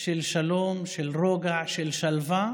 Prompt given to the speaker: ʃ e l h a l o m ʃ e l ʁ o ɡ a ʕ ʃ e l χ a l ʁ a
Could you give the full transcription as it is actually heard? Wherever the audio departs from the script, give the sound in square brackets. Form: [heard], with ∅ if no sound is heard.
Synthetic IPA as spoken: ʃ e l [ʃ] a l o m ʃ e l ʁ o ɡ a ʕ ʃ e l [ʃ] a l [v] a